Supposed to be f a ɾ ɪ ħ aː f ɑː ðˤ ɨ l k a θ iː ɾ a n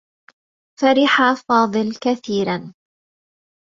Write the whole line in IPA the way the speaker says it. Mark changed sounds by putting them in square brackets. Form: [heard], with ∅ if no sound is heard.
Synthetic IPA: f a ɾ ɪ ħ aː f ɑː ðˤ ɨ l k a θ iː ɾ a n